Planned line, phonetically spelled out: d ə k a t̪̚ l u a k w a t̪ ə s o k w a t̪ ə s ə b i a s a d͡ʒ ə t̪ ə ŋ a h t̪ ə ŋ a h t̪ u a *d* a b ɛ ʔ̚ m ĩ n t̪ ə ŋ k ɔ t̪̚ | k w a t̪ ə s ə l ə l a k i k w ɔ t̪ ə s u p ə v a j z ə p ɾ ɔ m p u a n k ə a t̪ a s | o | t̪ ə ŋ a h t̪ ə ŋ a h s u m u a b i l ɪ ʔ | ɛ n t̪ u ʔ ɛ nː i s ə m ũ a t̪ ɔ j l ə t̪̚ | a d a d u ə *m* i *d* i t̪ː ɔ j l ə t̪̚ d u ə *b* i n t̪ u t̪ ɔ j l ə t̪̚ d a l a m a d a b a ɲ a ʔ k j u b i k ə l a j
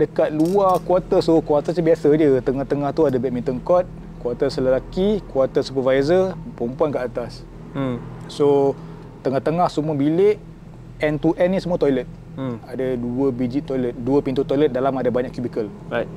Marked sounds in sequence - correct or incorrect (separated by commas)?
correct, incorrect, incorrect, incorrect